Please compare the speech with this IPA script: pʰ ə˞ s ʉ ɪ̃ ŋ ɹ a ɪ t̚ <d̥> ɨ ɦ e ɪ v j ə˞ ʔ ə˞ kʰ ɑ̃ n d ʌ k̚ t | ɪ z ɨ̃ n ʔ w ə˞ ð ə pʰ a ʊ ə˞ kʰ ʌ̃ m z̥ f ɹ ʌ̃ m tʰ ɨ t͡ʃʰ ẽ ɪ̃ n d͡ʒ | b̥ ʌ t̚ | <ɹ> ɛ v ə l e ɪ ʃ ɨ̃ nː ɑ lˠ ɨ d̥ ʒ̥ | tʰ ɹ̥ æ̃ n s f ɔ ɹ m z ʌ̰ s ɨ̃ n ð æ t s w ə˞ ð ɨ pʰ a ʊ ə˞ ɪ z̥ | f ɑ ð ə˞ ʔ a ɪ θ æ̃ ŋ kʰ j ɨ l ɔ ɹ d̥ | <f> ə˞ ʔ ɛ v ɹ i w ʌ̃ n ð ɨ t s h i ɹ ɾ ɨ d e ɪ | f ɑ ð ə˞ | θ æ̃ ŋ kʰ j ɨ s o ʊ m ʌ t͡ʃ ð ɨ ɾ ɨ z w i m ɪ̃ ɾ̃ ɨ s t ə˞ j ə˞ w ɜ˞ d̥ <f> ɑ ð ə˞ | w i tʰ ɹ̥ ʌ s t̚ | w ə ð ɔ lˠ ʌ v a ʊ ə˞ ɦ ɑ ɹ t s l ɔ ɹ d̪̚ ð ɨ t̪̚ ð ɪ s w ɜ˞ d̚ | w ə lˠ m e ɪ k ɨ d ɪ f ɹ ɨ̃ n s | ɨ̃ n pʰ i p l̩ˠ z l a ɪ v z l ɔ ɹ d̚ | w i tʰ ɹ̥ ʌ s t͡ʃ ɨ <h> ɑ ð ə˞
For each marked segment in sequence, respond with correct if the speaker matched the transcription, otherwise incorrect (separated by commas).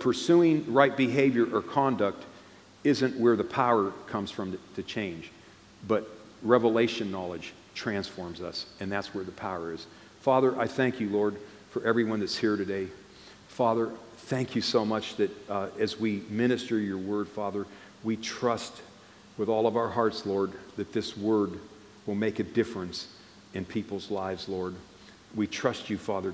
incorrect, correct, correct, correct, incorrect